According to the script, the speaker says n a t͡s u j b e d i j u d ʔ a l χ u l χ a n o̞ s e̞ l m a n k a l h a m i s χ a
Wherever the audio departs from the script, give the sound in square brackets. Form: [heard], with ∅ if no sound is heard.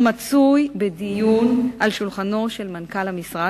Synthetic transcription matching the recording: [m] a t͡s u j b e d i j u [n] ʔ a l [ʃ] u l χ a n o̞ [ʃ] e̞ l m a n k a l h a m i s [ʁ] a